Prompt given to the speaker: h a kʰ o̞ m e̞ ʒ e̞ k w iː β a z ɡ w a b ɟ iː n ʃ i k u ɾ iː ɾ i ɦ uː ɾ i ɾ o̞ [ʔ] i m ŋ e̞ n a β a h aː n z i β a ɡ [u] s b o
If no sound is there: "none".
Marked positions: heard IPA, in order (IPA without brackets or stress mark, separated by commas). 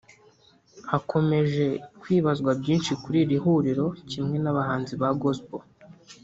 c, o